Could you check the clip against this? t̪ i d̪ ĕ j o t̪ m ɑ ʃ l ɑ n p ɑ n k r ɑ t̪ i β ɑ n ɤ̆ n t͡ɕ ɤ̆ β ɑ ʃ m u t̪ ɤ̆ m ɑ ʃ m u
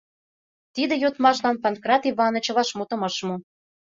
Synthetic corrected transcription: t̪ i d̪ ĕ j o t̪ m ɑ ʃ l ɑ n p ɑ n k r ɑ t̪ i β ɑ n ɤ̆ t͡ɕ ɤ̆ β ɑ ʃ m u t̪ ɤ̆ m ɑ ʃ m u